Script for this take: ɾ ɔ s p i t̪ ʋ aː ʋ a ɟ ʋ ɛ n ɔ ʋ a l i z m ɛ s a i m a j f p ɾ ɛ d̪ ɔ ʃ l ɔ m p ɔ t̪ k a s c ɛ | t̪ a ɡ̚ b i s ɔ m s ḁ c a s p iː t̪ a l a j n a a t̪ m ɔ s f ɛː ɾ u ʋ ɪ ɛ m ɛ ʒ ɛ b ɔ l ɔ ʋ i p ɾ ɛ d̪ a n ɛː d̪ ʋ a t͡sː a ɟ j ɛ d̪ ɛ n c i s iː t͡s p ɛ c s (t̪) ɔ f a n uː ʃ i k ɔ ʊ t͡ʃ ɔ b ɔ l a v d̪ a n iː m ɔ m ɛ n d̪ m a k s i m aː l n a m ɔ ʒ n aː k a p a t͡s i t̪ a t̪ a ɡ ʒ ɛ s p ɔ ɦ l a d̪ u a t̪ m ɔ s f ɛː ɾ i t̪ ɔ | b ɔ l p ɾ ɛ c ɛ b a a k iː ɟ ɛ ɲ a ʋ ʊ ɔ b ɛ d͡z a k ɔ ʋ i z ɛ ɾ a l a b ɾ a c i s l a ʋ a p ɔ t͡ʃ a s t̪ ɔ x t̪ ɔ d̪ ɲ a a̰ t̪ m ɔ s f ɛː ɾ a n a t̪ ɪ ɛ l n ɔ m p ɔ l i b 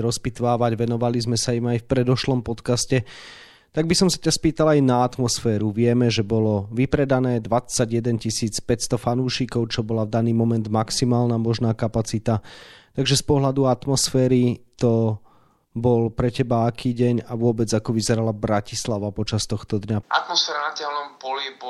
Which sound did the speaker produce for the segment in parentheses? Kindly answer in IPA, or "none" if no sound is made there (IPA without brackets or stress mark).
t̪